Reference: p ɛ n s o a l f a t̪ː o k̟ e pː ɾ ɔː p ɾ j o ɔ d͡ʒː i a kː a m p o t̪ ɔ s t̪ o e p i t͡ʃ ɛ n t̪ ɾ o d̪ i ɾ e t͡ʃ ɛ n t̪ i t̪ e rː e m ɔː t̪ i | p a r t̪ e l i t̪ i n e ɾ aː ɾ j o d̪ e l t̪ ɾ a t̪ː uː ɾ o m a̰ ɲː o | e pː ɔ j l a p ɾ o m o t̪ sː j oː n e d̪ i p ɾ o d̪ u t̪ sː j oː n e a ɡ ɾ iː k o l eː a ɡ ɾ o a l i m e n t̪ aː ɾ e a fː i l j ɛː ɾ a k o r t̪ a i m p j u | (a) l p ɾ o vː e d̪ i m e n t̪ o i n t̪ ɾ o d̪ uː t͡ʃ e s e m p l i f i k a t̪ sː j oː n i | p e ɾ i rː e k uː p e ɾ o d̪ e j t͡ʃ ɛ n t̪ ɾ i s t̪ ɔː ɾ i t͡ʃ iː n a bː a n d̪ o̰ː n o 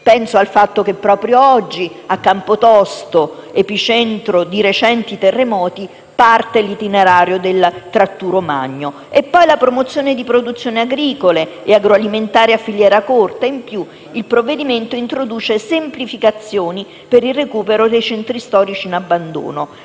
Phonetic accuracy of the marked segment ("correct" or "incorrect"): incorrect